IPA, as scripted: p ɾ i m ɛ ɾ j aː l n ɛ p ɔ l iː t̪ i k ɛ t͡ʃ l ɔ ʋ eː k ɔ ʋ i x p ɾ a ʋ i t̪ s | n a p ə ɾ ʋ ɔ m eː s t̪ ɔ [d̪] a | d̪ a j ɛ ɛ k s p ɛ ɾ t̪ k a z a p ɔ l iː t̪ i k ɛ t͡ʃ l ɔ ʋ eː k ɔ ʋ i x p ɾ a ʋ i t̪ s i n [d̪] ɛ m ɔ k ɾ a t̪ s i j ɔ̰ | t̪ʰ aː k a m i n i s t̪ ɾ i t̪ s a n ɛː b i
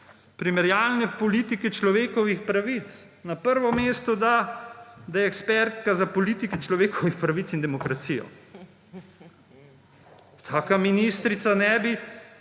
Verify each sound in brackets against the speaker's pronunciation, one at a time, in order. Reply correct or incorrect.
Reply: correct, correct

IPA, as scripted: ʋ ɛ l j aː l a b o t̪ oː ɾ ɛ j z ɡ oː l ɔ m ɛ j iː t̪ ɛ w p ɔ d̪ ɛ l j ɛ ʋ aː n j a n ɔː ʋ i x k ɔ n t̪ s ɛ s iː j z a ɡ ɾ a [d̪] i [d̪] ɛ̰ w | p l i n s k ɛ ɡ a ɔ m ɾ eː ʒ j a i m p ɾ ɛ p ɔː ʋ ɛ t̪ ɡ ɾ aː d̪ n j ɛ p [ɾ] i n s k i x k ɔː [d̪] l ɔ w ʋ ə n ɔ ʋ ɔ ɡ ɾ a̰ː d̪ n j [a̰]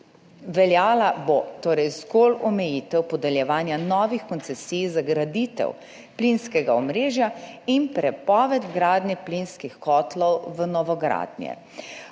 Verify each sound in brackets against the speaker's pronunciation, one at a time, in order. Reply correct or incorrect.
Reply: correct, incorrect: t̪, incorrect: l, incorrect: t̪, incorrect: ɛ̰

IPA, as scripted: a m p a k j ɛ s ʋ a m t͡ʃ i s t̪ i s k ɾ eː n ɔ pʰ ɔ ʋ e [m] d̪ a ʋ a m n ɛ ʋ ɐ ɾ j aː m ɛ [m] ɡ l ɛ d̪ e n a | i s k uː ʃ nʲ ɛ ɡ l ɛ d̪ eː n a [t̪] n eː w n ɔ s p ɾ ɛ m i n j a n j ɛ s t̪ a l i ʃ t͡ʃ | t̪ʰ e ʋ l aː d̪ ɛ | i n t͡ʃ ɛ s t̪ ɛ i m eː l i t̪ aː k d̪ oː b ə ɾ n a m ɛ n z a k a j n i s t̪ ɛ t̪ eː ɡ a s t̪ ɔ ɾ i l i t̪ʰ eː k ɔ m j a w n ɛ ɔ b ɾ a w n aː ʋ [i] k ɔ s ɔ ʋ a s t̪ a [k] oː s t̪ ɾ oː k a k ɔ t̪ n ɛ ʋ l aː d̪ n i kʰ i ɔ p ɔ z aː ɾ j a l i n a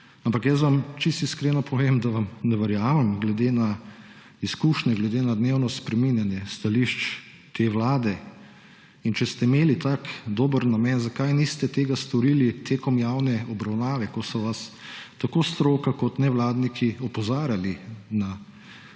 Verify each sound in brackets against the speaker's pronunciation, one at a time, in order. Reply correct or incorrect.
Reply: correct, correct, incorrect: d̪, incorrect: ɛ, correct

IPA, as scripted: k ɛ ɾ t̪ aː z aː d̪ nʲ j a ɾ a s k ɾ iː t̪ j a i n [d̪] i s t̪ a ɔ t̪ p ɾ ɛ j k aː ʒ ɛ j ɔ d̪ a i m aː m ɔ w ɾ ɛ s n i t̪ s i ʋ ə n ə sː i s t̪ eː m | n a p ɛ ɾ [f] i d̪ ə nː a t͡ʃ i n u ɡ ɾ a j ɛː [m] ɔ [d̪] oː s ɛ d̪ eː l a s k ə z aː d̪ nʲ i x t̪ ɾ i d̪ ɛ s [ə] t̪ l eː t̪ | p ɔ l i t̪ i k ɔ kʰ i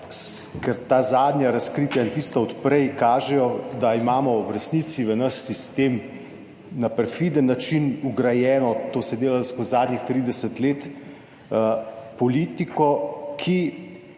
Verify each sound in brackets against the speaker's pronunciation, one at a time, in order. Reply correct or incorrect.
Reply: incorrect: t̪, correct, incorrect: n, incorrect: t̪, correct

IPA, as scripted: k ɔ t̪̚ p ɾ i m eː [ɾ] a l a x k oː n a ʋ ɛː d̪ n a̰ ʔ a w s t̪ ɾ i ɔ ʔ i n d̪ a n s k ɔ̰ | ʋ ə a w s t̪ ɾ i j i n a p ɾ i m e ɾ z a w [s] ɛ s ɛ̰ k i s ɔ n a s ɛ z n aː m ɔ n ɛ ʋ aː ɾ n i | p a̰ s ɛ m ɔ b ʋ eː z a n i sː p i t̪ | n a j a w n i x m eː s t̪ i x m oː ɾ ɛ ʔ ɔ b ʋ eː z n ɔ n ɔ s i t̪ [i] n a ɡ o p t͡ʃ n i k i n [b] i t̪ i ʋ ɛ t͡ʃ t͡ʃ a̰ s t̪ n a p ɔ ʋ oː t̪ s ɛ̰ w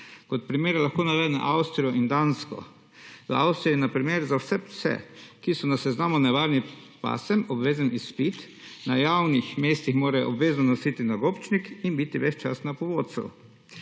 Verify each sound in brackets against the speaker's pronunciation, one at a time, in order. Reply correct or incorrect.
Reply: correct, correct, correct, correct

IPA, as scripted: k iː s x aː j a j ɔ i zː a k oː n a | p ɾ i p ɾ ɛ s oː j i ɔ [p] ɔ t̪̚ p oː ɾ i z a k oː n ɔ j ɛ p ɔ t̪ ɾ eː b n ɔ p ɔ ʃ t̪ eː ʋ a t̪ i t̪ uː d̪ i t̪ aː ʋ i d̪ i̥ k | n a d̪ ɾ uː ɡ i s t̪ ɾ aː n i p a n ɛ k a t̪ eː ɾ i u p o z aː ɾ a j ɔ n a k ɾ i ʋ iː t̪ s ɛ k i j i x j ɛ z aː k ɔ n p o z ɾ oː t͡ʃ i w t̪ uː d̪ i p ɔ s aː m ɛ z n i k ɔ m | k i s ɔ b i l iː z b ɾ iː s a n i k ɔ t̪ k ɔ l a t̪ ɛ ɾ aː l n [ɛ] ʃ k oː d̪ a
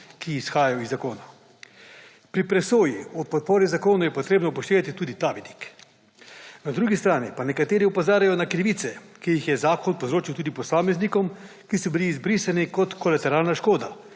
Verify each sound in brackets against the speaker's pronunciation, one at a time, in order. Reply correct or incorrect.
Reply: correct, incorrect: a

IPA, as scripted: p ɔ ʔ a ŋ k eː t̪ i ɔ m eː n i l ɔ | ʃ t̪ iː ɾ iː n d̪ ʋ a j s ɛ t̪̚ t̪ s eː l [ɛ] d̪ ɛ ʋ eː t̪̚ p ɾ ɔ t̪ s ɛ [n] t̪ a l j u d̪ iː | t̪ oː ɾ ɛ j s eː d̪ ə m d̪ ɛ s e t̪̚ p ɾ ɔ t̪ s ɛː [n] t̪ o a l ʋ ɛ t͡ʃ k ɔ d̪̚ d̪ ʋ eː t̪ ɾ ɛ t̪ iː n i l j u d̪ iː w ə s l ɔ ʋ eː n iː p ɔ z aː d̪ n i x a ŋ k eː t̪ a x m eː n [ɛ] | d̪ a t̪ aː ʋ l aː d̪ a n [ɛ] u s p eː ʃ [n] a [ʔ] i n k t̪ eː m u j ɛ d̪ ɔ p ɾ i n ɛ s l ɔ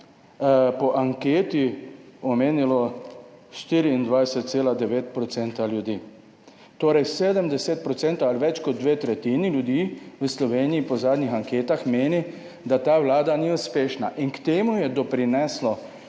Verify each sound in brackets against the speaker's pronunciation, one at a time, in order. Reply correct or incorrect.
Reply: incorrect: a, correct, correct, incorrect: i, incorrect: i, correct, correct

